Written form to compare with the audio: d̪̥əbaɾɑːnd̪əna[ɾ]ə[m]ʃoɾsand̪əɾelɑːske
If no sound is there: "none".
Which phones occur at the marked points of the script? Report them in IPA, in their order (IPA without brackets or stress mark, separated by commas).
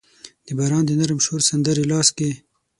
ɾ, m